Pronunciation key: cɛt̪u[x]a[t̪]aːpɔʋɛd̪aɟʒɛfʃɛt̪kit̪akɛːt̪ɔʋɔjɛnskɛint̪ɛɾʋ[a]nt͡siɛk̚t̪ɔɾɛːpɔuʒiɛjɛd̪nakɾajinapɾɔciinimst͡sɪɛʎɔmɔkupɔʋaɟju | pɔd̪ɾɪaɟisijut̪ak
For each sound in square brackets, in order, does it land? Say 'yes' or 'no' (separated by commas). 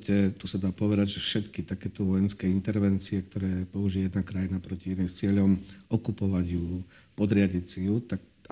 no, no, no